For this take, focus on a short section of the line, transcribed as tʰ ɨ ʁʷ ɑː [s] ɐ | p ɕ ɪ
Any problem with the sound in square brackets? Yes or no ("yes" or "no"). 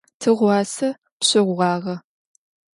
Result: no